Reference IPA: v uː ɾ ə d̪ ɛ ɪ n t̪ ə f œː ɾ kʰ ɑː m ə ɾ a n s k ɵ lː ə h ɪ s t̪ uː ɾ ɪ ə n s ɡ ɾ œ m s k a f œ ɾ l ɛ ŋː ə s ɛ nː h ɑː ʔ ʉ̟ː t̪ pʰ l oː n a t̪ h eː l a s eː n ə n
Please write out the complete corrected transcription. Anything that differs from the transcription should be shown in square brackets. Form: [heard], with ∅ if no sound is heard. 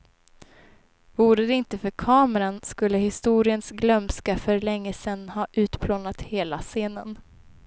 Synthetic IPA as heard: v uː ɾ ə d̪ ɛ ɪ n t̪ ə f [œ] ɾ kʰ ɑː m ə ɾ a n s k ɵ lː ə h ɪ s t̪ uː ɾ ɪ ə n s ɡ [l] œ m s k a f œ ɾ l ɛ ŋː ə s ɛ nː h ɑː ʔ ʉ̟ː t̪ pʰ l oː n a t̪ h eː l a s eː n ə n